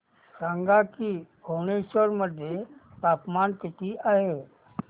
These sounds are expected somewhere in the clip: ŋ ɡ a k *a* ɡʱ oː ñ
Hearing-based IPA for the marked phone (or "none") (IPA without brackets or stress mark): i